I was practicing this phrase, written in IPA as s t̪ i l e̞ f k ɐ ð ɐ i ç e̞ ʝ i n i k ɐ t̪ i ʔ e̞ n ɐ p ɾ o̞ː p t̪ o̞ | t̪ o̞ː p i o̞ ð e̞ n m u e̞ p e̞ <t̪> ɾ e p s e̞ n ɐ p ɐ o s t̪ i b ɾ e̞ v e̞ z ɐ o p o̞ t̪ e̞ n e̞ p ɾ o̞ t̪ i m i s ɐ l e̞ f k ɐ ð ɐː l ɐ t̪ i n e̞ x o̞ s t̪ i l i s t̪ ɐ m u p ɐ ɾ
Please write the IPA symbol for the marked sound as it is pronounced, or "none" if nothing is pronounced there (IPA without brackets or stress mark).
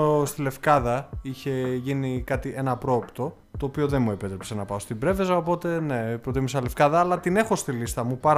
t̪